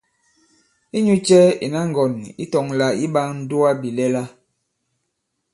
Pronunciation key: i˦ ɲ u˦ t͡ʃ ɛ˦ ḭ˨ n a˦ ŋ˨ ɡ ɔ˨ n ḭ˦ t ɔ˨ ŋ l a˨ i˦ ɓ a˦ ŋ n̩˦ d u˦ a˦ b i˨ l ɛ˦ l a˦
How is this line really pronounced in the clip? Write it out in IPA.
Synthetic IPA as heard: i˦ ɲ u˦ t͡ʃ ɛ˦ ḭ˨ n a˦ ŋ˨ ɡ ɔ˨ n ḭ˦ t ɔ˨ ŋ l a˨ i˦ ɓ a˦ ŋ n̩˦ d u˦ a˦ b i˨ l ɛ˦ l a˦

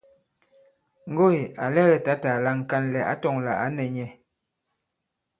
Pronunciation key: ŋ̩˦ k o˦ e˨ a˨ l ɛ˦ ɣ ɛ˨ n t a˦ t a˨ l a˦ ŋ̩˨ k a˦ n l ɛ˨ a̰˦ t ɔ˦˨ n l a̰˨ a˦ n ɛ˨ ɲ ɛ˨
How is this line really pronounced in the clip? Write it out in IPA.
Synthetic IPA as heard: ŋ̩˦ ɡ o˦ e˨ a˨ l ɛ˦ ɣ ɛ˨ t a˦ t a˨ l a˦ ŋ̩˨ k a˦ n l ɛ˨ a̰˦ t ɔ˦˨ ŋ l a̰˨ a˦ n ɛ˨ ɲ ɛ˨

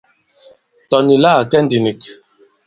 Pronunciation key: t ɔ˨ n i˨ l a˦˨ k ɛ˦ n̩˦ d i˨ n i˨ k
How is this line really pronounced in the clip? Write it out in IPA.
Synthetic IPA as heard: t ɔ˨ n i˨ l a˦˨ k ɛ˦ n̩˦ d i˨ n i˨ k

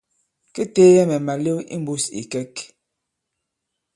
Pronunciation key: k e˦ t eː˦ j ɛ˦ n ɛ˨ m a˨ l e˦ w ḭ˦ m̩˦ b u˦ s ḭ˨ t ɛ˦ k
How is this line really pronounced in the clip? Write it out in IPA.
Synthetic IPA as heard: k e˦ t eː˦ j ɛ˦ m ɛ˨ m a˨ l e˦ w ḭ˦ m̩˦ b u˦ s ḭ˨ k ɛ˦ k

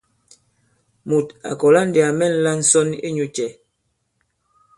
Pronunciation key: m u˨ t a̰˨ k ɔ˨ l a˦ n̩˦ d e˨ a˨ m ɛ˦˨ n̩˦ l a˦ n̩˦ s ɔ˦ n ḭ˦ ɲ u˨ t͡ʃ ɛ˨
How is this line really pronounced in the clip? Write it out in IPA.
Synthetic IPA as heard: m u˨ t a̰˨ k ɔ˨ l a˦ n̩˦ d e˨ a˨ m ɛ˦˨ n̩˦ l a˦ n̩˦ s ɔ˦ n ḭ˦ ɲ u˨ t͡ʃ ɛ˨

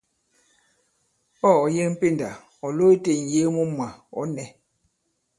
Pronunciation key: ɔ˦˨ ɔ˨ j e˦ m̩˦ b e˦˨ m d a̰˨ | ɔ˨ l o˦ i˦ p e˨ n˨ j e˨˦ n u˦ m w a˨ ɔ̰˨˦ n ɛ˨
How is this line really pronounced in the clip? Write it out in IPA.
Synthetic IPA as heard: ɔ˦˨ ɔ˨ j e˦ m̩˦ p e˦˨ n d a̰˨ | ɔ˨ l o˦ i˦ t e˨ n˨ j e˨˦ m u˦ m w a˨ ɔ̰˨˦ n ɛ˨

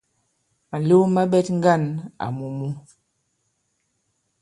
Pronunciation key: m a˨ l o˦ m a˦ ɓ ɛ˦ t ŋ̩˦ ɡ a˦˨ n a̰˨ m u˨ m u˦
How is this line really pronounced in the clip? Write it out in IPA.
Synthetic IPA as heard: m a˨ l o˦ m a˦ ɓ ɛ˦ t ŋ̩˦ ɡ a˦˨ n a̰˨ m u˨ m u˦

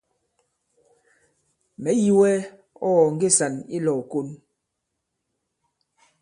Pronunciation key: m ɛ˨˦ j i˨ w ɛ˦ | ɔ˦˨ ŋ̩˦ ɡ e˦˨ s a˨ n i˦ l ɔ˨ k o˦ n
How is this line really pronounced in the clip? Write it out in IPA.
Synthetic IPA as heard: m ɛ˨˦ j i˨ w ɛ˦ | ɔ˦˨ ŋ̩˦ ɡ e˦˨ s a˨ n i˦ l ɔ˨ k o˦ n

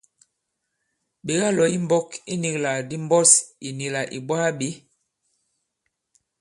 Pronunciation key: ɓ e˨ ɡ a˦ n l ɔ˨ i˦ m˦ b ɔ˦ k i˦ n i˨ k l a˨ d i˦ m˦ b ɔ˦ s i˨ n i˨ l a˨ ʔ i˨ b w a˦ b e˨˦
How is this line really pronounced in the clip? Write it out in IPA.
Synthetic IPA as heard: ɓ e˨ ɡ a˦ l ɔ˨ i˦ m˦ b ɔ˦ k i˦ n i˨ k l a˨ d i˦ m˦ b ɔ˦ s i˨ n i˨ l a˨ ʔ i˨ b w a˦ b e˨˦

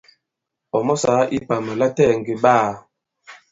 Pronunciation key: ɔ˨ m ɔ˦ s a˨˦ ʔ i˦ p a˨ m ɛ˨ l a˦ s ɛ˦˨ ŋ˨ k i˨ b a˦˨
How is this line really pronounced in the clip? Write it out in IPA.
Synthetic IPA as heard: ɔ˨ m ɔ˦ s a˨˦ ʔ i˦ p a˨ m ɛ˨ l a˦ t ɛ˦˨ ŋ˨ ɡ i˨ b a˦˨

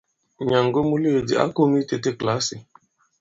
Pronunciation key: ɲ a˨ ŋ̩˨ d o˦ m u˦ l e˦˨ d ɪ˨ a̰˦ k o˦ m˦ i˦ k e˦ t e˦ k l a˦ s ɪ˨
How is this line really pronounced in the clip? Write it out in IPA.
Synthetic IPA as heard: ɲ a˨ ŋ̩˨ ɡ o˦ m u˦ l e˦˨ d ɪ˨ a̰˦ k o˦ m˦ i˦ t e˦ t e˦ k l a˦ s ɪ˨

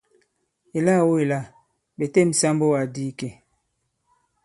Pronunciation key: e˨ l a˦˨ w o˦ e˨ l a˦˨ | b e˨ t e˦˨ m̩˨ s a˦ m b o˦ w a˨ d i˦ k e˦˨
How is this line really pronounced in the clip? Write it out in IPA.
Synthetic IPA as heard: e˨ l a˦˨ w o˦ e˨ l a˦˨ | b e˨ t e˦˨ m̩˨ s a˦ m b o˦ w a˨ d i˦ k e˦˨

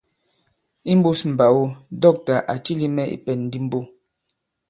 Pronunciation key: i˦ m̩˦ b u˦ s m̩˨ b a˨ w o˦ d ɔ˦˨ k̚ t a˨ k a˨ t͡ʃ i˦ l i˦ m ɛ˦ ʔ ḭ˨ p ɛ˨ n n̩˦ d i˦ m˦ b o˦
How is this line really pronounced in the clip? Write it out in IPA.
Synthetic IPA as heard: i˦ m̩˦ b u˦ s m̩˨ b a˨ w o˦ d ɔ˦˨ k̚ t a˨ ʔ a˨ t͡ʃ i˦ l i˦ m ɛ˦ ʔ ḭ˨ p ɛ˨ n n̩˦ d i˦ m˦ b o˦

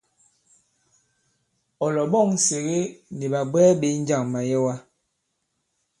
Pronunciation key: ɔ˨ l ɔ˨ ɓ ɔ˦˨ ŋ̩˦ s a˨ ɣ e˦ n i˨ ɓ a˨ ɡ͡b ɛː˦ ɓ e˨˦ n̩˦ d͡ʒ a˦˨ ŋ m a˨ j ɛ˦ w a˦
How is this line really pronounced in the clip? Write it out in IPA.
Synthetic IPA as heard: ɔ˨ l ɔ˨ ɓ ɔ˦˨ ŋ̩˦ s e˨ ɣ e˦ n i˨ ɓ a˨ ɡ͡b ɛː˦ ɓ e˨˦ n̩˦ d͡ʒ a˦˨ ŋ m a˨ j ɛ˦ w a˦

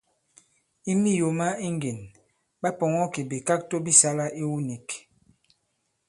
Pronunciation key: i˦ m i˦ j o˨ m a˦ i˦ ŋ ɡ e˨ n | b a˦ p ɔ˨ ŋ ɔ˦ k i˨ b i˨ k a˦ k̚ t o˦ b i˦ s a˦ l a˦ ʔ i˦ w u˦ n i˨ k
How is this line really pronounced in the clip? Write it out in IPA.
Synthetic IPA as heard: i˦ m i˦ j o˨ m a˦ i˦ ŋ ɡ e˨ n | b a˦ p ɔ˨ ŋ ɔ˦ k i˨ b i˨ k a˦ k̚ t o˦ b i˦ s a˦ l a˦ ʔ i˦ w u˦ n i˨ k

